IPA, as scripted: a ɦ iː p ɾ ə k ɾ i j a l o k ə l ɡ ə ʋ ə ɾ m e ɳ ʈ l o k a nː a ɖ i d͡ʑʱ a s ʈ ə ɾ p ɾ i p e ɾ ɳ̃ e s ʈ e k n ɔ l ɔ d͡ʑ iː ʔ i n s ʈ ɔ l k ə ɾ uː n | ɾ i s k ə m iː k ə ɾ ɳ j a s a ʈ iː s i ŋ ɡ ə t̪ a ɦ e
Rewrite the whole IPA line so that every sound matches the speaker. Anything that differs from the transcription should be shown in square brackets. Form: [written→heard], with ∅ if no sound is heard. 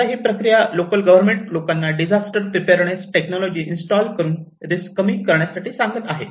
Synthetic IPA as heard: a ɦ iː p ɾ ə k ɾ i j a l o k ə l ɡ ə ʋ ə ɾ m e ɳ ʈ l o k a nː a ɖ i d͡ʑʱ a s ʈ ə ɾ p ɾ i p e ɾ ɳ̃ e s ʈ e k n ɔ l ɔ d͡ʑ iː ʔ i n s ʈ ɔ l k ə ɾ uː n | ɾ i s k ə m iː k ə ɾ ɳ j a s a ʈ iː s [i→a] ŋ ɡ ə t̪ a ɦ e